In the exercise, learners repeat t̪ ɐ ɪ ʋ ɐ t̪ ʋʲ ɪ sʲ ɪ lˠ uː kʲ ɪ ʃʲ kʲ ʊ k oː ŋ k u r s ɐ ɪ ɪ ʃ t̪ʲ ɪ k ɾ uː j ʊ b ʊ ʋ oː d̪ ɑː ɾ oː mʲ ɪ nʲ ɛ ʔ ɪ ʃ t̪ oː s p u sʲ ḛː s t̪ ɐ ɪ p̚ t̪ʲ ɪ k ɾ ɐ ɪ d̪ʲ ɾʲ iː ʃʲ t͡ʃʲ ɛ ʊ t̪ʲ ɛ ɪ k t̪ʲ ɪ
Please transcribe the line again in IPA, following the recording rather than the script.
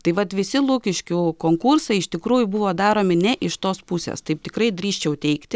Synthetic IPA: t̪ ɐ ɪ ʋ ɐ t̪ ʋʲ ɪ sʲ ɪ lˠ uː kʲ ɪ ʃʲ kʲ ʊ k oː ŋ k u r s ɐ ɪ ɪ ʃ t̪ʲ ɪ k ɾ uː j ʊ b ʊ ʋ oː d̪ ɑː ɾ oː mʲ ɪ nʲ ɛ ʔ ɪ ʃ t̪ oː s p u sʲ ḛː s t̪ ɐ ɪ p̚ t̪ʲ ɪ k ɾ ɐ ɪ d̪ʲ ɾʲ iː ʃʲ t͡ʃʲ ɛ ʊ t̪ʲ ɛ ɪ k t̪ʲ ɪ